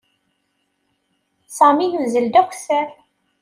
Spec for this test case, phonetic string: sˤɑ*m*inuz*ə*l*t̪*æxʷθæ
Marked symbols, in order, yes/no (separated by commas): yes, yes, no